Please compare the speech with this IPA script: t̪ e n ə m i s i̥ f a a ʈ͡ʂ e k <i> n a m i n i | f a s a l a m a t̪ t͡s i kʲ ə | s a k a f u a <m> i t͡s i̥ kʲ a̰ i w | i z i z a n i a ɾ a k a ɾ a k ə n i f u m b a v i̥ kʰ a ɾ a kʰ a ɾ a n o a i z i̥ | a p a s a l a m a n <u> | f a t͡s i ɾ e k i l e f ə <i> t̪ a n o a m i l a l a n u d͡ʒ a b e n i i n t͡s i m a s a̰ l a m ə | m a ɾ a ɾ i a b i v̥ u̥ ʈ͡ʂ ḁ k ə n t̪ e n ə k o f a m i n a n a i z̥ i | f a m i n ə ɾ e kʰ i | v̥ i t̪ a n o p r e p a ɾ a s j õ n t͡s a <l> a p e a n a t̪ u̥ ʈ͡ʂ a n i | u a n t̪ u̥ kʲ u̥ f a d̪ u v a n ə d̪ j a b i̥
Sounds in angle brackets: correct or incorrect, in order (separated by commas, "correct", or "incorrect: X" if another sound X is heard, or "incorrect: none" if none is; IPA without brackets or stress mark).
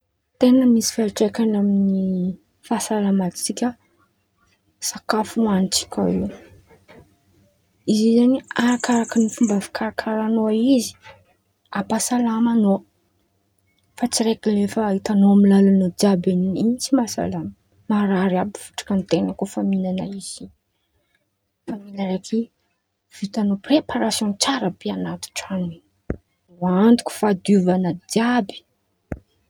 incorrect: a, incorrect: n, incorrect: o, correct, incorrect: ɾ